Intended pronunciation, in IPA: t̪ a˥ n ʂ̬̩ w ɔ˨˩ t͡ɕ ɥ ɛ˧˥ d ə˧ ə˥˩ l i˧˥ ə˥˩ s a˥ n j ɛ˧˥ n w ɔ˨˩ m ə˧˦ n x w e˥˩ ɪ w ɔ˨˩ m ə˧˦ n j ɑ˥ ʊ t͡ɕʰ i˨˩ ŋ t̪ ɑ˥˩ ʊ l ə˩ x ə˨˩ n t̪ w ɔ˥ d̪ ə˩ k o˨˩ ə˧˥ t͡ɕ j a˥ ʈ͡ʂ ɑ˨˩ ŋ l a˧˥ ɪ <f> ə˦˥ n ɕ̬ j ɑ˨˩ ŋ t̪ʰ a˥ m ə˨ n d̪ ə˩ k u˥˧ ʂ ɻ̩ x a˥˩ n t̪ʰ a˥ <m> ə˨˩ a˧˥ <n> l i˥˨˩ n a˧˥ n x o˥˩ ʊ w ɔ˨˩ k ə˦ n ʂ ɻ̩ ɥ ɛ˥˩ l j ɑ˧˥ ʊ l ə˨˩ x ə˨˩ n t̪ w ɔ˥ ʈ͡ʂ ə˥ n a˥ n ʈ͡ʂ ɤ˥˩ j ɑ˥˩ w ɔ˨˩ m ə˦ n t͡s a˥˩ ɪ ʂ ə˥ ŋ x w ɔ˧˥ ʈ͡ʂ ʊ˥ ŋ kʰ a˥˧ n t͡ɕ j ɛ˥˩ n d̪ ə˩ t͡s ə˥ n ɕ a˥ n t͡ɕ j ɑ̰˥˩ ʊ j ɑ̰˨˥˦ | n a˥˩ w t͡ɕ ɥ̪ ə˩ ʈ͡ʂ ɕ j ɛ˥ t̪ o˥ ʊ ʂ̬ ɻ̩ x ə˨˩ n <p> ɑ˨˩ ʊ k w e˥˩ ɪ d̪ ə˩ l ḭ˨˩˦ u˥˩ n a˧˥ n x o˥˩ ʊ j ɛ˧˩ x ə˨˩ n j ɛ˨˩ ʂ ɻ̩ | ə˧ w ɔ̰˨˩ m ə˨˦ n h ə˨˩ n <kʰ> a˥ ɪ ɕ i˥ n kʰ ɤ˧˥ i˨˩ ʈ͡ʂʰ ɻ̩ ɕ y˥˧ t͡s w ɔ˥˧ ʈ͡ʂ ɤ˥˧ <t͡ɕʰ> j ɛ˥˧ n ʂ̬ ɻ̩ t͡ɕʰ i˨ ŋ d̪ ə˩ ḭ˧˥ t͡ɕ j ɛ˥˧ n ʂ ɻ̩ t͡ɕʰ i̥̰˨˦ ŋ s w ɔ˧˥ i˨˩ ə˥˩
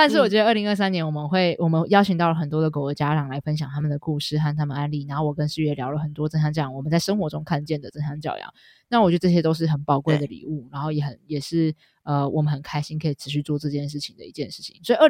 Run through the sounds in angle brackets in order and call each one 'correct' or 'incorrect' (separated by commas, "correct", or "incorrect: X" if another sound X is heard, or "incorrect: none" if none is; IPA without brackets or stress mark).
correct, correct, correct, correct, correct, incorrect: t͡ɕ